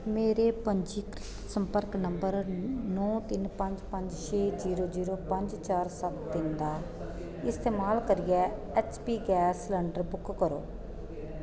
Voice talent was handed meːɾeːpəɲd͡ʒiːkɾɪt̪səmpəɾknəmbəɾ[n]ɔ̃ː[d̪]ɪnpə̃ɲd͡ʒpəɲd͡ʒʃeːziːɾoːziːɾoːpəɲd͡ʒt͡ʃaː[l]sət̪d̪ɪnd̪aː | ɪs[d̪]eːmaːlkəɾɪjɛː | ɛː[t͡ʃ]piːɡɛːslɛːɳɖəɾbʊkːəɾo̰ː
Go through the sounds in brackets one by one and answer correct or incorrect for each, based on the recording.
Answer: correct, incorrect: t̪, incorrect: ɾ, incorrect: t̪, correct

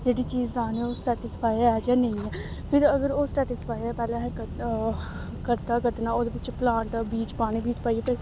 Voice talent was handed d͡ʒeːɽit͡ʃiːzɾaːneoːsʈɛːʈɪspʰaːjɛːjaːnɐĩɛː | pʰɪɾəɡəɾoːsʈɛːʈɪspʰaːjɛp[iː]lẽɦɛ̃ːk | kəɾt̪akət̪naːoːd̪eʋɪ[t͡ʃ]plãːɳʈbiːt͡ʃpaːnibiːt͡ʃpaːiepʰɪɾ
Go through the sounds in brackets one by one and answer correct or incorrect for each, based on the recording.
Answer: incorrect: ɛː, correct

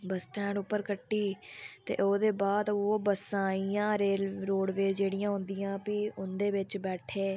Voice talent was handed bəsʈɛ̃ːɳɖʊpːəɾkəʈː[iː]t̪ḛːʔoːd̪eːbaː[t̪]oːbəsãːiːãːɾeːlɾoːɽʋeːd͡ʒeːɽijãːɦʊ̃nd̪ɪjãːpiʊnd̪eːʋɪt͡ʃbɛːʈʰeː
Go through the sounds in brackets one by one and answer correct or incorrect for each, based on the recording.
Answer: correct, incorrect: d̪

